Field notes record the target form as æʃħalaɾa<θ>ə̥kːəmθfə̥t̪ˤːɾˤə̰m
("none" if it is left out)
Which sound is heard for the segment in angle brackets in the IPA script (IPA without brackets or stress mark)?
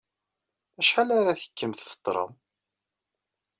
θ